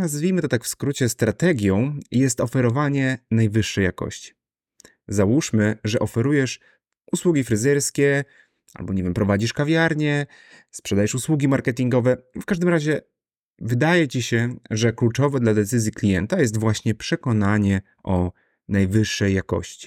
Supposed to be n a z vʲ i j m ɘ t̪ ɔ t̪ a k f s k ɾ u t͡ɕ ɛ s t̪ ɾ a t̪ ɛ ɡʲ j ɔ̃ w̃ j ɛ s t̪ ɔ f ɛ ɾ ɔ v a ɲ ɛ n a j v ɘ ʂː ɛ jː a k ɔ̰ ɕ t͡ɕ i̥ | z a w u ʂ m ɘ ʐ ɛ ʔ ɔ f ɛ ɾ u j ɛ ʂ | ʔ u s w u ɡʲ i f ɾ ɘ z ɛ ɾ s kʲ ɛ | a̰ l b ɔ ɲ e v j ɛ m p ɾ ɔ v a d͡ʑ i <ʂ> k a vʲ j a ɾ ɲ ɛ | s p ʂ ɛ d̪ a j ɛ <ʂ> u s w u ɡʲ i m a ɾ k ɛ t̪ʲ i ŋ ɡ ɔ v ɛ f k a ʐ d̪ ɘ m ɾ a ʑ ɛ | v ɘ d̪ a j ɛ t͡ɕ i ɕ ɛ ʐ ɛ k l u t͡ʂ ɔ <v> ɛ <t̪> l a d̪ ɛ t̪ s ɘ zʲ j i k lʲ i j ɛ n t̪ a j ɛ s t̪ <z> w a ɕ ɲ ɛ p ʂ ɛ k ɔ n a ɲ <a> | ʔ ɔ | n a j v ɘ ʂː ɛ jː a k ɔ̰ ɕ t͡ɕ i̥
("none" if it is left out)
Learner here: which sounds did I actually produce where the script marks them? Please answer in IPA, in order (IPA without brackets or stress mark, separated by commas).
ʂ, ʂ, v, d̪, v, ɛ